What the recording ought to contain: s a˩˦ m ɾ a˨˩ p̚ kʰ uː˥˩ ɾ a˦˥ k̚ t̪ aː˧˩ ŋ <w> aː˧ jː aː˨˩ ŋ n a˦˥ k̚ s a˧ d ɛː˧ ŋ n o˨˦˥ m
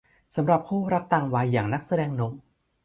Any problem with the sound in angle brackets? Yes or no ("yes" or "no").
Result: no